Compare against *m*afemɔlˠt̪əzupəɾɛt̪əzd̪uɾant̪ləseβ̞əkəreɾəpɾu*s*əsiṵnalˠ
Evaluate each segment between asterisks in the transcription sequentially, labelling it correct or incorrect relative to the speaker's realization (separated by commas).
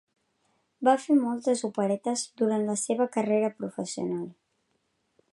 incorrect, incorrect